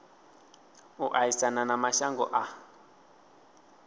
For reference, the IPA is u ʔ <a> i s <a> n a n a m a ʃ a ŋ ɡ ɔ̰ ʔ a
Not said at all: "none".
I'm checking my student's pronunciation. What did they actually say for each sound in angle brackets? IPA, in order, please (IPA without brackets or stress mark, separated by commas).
a, a